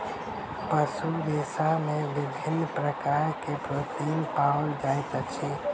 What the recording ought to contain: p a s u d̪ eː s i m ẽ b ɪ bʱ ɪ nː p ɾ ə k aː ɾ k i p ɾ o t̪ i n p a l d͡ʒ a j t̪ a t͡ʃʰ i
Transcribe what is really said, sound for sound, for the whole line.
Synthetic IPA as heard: p ə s u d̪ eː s a m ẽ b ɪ bʱ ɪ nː p ɾ ə k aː ɾ k e p ɾ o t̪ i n p a l d͡ʒ a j t̪ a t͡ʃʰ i